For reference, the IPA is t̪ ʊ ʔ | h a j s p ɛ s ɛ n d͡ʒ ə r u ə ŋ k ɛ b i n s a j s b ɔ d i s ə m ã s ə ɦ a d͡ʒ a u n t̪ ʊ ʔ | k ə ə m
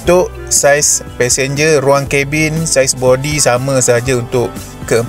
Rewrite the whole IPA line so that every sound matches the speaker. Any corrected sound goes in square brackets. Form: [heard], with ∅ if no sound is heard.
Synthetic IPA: t̪ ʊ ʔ | [s] a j s p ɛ s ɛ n d͡ʒ ə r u [a] ŋ k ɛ b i n s a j s b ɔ d i s [a] m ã s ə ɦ a d͡ʒ a u n t̪ ʊ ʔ | k ə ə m